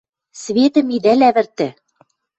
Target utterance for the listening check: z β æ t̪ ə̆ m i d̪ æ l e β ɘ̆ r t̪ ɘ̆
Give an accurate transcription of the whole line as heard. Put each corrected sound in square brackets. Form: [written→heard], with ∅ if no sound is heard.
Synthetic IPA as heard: [z→s] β [æ→e] t̪ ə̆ m i d̪ æ l [e→æ] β ɘ̆ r t̪ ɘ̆

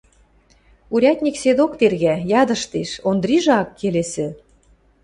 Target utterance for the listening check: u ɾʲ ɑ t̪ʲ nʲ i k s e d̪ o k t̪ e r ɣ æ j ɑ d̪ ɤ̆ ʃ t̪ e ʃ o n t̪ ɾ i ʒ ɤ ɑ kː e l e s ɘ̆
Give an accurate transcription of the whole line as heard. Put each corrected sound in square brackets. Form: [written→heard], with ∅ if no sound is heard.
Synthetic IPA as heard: u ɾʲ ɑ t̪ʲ nʲ i k s e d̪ o k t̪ e r ɣ æ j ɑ d̪ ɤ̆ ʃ t̪ e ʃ o n [t̪→d̪] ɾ i ʒ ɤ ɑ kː e l e s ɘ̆

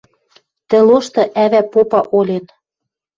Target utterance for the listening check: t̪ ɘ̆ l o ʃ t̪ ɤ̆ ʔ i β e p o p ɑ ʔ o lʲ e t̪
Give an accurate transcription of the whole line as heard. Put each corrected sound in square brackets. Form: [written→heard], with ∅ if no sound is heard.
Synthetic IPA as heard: t̪ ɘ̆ l o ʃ t̪ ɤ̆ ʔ [i→æ] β [e→æ] p o p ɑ ʔ o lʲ e t̪

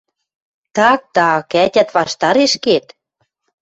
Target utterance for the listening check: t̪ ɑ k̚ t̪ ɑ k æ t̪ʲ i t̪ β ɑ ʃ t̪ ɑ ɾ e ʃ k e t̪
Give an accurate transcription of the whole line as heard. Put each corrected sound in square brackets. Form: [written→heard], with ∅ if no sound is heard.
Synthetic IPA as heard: t̪ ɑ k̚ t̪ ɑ k æ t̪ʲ [i→æ] t̪ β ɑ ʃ t̪ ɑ ɾ e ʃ k e t̪

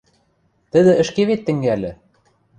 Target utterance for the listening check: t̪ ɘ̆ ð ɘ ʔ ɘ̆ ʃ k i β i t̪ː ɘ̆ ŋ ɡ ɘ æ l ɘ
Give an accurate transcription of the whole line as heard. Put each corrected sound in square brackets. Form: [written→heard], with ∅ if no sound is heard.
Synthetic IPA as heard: t̪ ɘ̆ ð ɘ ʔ ɘ̆ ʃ k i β i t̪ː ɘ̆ ŋ ɡ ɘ æ l ɘ

